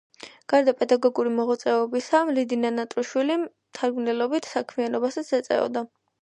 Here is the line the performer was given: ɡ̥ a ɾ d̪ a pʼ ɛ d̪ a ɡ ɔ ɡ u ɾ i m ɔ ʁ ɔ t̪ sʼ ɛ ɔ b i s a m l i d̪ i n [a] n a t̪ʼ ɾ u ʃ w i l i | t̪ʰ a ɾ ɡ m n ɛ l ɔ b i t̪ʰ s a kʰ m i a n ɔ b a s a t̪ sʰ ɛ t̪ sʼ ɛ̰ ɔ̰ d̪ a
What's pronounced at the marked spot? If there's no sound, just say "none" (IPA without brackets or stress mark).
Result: a